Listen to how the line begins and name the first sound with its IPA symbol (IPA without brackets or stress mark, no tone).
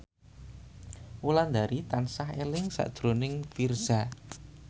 u